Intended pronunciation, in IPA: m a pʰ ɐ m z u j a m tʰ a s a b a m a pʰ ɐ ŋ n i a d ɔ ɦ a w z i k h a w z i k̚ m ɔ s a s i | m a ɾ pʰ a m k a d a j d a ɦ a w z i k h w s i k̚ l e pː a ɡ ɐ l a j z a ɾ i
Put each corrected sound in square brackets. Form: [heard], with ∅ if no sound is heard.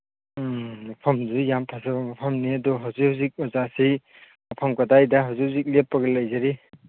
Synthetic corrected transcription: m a pʰ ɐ m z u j a m tʰ a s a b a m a pʰ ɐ [m] n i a d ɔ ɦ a w z i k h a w z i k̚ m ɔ [z] a s i | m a [∅] pʰ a m k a d a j d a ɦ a w z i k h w [z] i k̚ l e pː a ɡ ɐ l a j z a ɾ i